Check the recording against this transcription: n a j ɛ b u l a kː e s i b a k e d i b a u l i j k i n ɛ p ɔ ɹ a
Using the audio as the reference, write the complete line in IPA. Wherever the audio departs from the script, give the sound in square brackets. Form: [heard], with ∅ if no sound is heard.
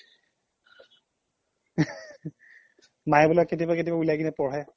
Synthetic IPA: [m] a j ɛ b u l a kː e [t] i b a k e [t] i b a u l [a] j k i n ɛ p ɔ ɹ [ɛ]